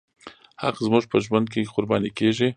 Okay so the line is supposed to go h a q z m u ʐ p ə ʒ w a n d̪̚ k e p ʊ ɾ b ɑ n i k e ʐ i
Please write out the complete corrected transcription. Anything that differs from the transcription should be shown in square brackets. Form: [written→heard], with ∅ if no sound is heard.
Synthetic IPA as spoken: h a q z m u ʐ p ə ʒ w a n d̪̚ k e [p→q] ʊ ɾ b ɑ n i k e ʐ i